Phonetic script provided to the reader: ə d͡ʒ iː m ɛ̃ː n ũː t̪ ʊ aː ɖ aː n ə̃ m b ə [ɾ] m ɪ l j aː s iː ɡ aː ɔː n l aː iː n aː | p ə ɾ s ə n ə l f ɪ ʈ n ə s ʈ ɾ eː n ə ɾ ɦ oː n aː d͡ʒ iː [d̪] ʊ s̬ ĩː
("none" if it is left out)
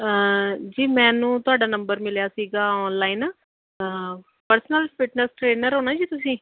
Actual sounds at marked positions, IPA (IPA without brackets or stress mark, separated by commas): ɾ, t̪